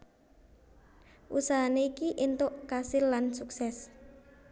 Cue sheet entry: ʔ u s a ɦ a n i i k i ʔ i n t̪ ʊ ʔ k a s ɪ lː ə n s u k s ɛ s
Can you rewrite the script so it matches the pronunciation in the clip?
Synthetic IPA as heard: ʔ u s a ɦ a n e i k i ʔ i n t̪ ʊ ʔ k a s ɪ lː a n s u k s ɛ s